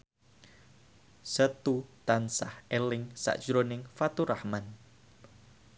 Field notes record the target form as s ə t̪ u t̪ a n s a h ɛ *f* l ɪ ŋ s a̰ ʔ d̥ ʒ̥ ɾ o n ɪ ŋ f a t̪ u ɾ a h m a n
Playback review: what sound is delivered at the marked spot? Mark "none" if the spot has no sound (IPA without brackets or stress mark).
none